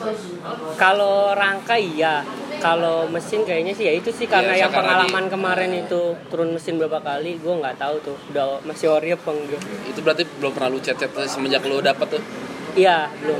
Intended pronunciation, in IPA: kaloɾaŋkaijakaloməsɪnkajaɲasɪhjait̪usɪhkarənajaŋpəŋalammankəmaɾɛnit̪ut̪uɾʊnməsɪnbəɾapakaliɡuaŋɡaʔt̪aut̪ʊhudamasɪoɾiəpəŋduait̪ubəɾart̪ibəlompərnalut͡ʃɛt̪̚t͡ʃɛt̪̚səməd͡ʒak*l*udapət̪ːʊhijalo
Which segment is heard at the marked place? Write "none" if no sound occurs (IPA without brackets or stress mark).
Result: l